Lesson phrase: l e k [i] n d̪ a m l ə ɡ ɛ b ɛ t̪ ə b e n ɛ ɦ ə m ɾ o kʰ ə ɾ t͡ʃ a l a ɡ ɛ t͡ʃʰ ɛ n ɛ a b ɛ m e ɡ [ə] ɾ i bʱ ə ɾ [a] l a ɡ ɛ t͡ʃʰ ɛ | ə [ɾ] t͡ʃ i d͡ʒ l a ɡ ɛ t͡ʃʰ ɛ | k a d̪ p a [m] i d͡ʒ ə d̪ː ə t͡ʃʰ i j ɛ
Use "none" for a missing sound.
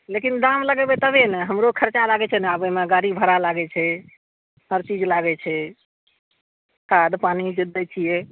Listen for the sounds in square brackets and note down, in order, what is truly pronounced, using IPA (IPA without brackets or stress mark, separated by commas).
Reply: i, a, a, ɾ, n